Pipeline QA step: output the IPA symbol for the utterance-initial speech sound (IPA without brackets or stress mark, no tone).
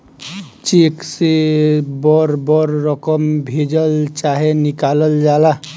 t͡ʃ